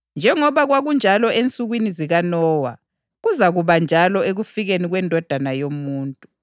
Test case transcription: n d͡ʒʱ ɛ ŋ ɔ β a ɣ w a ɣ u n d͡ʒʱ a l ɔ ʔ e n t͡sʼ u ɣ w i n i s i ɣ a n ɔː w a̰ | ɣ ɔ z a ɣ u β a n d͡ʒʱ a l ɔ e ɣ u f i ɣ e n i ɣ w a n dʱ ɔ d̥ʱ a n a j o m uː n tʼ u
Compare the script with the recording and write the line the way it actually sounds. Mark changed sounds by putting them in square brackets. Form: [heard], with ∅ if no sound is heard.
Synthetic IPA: n d͡ʒʱ ɛ ŋ ɔ β a ɣ w a ɣ u n d͡ʒʱ a l ɔ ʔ e n t͡sʼ u ɣ w i n i [z] i ɣ a n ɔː w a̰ | ɣ [u] z a ɣ u β a n d͡ʒʱ a l ɔ e ɣ u f i ɣ e n i ɣ w [ɛ] n dʱ ɔ d̥ʱ a n a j o m uː n tʼ u